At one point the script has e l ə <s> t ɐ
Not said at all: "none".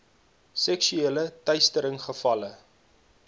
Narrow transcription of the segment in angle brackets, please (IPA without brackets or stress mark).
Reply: none